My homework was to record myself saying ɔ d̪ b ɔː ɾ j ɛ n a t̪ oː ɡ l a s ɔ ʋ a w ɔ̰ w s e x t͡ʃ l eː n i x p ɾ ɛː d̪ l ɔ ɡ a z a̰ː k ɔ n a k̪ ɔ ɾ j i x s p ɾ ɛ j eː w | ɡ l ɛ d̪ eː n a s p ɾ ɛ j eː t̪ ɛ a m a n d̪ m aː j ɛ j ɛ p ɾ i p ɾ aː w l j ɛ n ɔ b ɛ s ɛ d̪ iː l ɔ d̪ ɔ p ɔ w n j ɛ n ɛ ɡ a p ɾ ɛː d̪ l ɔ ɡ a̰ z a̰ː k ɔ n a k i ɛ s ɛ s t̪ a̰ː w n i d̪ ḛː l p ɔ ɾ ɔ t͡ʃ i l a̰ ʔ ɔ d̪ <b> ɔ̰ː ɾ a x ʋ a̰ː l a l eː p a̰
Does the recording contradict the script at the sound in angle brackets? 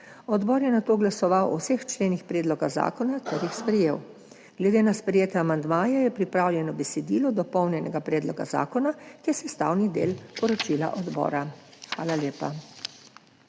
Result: no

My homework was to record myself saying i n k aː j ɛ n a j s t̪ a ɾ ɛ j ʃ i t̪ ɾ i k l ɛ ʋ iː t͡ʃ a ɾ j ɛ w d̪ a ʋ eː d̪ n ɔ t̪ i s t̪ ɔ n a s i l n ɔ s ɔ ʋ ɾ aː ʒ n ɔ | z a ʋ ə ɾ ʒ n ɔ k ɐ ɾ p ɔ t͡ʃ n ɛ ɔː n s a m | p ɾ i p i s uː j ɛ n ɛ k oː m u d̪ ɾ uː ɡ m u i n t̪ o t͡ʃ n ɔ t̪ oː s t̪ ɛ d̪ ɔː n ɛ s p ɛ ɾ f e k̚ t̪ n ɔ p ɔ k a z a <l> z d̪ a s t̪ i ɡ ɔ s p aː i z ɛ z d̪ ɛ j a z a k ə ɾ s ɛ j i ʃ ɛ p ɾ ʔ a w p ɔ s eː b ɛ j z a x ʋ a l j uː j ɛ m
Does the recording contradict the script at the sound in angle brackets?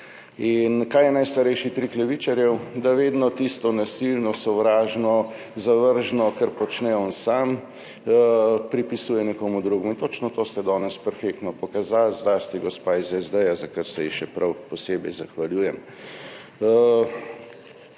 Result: no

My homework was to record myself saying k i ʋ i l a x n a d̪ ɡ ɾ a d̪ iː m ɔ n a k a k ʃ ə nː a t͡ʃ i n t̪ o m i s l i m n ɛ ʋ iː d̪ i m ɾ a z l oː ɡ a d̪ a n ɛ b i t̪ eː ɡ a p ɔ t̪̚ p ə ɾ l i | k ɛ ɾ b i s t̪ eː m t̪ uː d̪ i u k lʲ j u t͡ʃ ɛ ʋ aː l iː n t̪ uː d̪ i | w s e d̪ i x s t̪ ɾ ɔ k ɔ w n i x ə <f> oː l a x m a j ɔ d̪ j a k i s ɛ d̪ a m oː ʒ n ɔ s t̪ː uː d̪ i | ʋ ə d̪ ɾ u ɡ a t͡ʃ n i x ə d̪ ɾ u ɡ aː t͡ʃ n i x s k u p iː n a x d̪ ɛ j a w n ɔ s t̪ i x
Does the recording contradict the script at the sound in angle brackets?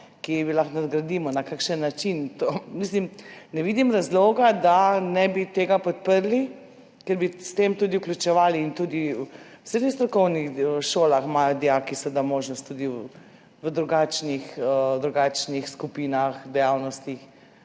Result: yes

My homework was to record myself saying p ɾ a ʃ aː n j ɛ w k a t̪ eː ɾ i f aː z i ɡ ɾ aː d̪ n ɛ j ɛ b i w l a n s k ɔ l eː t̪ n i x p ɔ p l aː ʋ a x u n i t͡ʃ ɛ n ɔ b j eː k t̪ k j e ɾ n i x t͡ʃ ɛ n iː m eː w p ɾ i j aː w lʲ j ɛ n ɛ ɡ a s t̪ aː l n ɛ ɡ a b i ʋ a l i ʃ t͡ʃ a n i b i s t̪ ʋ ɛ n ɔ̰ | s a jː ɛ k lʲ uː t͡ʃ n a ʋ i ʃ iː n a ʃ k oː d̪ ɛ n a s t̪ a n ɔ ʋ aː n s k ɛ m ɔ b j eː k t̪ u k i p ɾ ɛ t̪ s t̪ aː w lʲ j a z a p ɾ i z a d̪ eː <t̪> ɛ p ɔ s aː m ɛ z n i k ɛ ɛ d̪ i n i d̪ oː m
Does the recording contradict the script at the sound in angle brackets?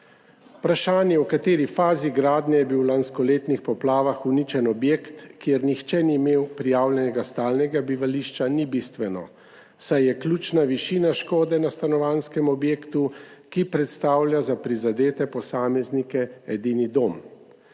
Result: no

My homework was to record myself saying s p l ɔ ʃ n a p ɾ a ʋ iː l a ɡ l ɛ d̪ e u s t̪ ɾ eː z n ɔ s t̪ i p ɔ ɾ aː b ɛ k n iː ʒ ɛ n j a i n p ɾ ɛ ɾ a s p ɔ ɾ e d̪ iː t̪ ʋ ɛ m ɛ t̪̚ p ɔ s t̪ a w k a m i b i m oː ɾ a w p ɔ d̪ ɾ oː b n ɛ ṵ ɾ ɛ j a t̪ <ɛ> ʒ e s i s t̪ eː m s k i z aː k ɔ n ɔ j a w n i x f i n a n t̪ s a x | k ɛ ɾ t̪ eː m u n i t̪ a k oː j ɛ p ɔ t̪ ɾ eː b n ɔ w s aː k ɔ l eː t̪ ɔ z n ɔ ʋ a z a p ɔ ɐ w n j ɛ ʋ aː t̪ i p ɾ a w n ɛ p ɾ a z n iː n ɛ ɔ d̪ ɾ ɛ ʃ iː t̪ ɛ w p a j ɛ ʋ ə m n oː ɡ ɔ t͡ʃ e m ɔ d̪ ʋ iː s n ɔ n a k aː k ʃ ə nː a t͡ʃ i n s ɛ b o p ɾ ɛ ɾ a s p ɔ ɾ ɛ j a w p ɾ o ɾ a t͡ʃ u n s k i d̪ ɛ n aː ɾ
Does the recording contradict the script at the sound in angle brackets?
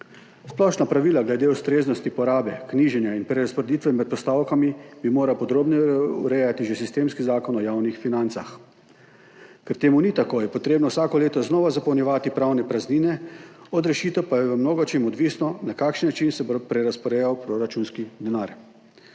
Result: yes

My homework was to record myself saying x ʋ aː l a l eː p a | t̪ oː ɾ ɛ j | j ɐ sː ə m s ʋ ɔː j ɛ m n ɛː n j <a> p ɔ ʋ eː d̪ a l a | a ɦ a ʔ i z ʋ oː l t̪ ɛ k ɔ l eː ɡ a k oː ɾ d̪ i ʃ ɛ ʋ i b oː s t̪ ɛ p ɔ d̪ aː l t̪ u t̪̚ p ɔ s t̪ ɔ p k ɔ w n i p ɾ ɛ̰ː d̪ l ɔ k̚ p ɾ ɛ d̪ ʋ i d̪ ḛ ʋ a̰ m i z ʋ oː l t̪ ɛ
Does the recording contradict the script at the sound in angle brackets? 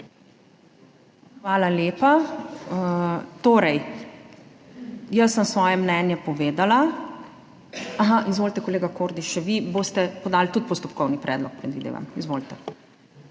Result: yes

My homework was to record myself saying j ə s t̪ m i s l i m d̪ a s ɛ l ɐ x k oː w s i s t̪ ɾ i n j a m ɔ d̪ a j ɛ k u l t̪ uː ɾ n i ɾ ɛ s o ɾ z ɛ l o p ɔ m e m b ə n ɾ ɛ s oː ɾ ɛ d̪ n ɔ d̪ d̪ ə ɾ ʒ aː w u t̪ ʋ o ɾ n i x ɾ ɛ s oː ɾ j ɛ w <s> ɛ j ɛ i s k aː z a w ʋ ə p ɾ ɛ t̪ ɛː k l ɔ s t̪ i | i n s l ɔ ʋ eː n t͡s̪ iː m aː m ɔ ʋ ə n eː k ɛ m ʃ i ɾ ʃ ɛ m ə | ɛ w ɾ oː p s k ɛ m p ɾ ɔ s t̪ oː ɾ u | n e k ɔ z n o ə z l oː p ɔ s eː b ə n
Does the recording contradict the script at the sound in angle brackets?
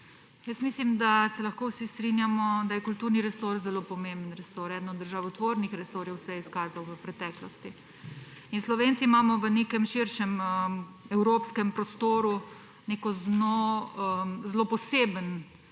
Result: no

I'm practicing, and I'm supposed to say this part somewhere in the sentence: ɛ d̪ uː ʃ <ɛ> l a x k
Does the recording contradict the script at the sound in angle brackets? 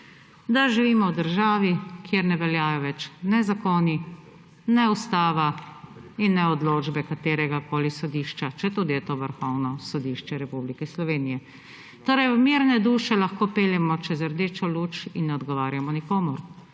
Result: no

